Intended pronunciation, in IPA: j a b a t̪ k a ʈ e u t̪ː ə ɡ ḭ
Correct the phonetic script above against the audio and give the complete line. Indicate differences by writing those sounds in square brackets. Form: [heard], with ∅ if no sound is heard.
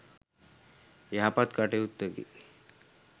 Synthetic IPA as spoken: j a [p] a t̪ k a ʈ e u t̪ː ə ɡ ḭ